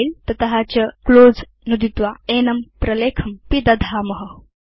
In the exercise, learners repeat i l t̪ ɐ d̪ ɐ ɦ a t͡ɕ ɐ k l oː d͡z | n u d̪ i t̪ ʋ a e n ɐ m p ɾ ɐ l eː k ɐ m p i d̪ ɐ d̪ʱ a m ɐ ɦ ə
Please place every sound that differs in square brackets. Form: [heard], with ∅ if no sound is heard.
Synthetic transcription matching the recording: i l t̪ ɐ [t̪] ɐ ɦ a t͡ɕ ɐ k l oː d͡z | n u d̪ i t̪ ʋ a e n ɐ m p ɾ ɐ l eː [kʰ] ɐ m p i d̪ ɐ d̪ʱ a m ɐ ɦ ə